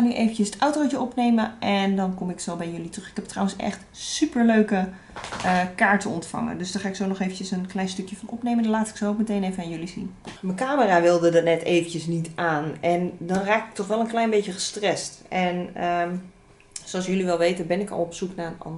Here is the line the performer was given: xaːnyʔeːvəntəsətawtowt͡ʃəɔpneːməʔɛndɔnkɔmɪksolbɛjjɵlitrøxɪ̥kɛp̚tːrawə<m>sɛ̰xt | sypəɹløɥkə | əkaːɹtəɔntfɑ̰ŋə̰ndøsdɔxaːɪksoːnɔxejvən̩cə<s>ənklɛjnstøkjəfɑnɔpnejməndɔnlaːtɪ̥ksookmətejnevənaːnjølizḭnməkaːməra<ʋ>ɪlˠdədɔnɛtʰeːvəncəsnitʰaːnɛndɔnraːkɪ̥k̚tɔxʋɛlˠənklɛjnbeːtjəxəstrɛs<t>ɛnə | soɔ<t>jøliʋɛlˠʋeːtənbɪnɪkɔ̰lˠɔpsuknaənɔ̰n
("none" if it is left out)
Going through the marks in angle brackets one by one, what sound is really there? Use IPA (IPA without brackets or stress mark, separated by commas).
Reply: n, s, ʋ, t, s